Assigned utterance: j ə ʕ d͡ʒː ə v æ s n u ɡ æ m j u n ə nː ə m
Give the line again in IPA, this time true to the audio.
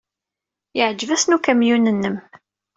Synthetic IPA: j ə ʕ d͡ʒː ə v æ s n u k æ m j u n ə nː ə m